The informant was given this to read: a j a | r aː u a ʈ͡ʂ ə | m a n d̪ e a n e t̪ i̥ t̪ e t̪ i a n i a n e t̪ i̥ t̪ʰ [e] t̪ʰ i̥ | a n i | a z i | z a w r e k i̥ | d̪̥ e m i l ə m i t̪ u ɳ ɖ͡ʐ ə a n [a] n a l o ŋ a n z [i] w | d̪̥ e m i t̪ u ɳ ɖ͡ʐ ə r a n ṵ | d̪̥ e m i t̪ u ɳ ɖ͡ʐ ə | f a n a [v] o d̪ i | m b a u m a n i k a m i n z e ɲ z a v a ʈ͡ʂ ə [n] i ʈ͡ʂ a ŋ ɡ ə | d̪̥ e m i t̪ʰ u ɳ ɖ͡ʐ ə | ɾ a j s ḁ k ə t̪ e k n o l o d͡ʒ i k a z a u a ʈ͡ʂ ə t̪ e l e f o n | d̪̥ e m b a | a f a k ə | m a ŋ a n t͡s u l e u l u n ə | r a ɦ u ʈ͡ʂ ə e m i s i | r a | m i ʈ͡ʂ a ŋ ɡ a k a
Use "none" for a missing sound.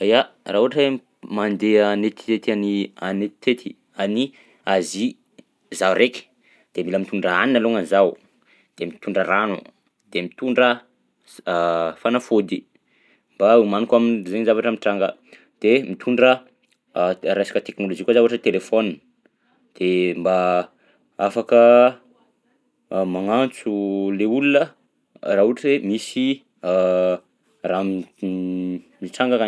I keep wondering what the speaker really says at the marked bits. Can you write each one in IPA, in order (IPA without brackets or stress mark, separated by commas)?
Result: e, i, a, f, m